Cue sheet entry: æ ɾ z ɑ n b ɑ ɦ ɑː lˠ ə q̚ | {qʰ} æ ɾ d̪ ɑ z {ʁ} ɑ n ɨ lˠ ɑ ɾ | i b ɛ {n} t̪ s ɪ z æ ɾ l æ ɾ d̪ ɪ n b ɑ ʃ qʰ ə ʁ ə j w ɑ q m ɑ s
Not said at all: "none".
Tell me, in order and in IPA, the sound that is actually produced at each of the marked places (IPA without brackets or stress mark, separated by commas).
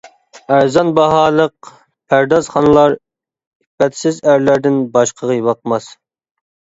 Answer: pʰ, χ, none